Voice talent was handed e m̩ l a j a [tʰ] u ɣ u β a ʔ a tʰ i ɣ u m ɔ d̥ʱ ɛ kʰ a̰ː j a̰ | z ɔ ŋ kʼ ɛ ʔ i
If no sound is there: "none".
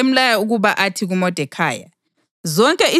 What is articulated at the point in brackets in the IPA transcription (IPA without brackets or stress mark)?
none